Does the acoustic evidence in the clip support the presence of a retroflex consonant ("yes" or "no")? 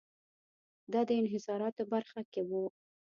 no